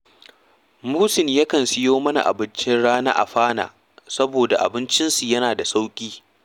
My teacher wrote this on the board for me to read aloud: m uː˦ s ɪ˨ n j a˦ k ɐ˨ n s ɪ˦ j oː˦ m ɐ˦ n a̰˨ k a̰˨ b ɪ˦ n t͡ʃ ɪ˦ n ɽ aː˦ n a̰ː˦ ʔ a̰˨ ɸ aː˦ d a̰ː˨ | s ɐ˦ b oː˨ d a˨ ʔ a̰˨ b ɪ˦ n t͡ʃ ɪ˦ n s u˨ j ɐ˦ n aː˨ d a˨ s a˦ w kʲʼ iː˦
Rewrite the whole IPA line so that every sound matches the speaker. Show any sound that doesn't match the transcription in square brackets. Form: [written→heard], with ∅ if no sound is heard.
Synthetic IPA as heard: m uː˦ s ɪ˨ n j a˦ k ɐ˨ n s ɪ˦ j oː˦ m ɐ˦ n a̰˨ [k→ʔ] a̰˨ b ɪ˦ n t͡ʃ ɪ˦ n ɽ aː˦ n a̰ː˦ ʔ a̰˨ ɸ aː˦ [d→n] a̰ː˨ | s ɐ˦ b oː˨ d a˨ ʔ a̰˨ b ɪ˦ n t͡ʃ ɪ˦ n s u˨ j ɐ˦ n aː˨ d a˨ s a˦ w kʲʼ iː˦